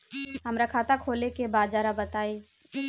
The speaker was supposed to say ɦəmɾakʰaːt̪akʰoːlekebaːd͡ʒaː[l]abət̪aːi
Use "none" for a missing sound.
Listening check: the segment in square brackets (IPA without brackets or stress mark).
ɾ